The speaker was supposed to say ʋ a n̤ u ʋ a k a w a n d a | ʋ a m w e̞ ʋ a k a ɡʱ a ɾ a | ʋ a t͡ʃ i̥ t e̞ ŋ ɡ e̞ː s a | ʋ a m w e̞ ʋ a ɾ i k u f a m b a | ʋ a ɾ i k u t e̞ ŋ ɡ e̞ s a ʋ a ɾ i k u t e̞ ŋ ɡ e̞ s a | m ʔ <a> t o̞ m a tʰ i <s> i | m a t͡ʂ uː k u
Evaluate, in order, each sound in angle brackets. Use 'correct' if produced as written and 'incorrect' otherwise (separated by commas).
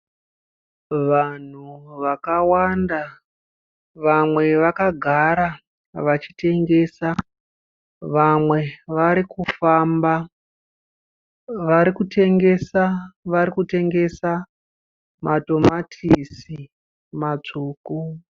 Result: correct, correct